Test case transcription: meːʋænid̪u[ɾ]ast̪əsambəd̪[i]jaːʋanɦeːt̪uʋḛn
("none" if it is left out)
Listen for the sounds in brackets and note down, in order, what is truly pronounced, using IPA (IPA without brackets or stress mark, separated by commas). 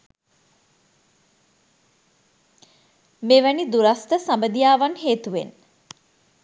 ɾ, i